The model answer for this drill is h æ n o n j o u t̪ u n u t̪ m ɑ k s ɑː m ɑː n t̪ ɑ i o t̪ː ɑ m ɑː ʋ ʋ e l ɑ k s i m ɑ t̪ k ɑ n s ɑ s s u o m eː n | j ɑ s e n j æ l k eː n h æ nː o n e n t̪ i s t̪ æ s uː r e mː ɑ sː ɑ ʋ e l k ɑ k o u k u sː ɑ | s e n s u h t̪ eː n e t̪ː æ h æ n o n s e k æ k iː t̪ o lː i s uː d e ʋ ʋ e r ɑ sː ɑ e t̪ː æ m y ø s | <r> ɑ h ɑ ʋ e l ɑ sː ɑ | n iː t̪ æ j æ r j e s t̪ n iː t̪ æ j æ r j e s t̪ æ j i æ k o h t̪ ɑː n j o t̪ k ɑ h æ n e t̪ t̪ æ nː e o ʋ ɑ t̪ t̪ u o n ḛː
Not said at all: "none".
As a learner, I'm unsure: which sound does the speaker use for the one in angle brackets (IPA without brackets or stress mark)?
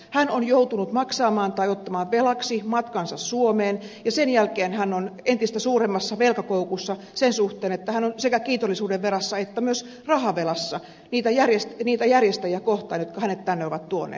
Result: r